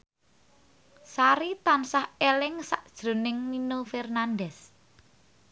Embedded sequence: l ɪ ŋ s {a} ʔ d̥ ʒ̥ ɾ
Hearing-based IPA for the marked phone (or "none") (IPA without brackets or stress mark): a